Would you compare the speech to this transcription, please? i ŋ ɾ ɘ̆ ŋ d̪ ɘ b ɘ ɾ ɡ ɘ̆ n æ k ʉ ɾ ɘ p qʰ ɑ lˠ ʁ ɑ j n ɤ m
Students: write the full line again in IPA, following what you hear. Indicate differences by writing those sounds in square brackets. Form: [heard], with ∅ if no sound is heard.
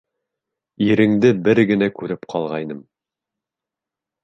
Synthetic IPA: i [∅] ɾ ɘ̆ ŋ d̪ ɘ b ɘ ɾ ɡ ɘ̆ n æ k ʉ ɾ ɘ p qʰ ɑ lˠ ʁ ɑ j n ɤ m